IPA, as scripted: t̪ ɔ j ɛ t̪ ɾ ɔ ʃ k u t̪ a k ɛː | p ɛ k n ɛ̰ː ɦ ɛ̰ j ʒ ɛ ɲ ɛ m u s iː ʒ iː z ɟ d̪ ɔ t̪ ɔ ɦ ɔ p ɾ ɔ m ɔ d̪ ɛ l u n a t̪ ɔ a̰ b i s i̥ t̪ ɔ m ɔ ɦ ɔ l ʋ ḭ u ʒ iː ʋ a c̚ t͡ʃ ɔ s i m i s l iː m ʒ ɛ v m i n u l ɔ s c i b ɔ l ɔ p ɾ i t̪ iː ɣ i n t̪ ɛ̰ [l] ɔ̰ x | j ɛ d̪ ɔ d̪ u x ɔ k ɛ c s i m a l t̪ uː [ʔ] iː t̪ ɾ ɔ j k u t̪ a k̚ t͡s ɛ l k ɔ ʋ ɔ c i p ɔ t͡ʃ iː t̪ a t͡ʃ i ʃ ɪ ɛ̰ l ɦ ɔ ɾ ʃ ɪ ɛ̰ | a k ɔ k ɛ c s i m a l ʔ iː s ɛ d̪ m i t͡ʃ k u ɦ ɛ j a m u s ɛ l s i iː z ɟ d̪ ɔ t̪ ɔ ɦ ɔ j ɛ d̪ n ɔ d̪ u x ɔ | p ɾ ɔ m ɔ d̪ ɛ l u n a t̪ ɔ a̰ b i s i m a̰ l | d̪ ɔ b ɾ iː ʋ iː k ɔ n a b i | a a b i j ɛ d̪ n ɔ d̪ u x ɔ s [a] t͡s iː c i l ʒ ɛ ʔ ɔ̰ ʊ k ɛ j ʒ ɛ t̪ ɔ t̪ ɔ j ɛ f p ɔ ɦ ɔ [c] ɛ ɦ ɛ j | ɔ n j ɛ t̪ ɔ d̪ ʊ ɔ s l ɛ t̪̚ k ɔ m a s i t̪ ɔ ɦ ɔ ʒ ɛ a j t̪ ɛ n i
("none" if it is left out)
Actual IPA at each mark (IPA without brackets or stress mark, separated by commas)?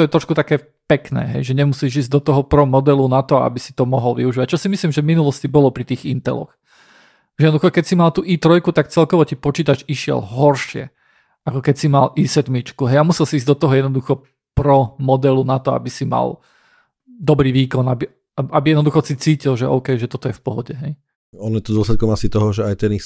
l, ʔ, i, ɟ